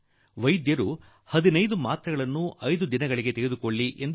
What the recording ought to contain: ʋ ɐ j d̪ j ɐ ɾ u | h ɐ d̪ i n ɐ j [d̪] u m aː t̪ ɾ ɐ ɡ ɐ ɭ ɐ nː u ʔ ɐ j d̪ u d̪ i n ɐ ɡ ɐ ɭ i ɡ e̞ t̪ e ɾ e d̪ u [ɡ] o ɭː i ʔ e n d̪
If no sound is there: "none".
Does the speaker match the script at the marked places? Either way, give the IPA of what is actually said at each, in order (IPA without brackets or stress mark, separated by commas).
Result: d̪, k